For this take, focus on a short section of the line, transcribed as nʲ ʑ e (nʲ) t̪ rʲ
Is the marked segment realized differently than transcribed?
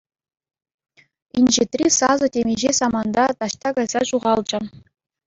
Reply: yes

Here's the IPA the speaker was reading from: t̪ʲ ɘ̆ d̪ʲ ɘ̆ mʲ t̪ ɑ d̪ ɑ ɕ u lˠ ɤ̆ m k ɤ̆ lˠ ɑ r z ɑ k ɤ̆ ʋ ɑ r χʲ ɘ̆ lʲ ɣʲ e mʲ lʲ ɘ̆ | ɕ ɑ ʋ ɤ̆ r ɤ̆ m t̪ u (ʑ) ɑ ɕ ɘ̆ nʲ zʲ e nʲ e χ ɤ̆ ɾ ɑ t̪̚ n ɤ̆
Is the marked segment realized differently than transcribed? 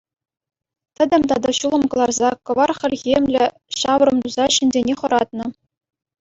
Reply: yes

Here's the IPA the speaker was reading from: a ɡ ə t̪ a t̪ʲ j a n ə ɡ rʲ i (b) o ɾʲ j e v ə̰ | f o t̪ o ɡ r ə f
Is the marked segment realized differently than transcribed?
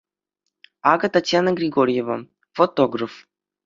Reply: yes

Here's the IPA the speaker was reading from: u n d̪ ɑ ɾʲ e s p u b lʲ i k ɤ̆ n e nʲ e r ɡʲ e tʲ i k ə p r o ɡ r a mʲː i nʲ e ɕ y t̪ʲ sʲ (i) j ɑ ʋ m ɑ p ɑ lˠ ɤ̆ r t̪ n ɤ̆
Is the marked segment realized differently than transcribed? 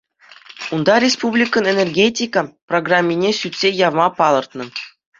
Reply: yes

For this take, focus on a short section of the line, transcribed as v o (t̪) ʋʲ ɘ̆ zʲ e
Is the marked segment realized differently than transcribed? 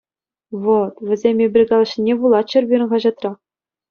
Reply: no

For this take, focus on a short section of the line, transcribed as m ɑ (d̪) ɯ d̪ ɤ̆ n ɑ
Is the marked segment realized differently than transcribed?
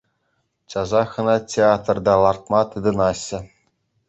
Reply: yes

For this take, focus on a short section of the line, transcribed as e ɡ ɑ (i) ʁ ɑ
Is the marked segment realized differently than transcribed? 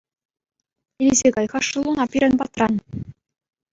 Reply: yes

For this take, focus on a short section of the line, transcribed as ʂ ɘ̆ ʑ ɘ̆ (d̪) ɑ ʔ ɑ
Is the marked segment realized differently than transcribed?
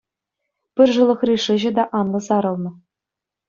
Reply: no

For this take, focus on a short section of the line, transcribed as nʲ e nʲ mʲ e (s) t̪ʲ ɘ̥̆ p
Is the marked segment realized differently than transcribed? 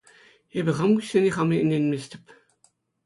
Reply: no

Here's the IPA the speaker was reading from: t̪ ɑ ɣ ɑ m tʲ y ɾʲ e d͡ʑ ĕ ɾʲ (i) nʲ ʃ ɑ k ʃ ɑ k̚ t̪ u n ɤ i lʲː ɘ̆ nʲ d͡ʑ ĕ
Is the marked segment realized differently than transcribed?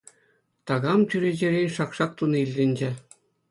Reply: yes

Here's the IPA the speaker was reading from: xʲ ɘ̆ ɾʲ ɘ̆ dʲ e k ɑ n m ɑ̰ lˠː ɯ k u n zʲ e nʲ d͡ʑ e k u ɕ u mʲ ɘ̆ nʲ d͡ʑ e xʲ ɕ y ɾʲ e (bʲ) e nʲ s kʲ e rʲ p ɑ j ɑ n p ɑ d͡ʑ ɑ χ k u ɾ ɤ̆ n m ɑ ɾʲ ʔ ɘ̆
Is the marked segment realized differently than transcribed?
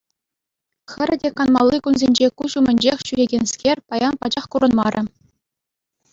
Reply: yes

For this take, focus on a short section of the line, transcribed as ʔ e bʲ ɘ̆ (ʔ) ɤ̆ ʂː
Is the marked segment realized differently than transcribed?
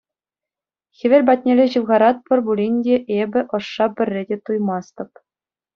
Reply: no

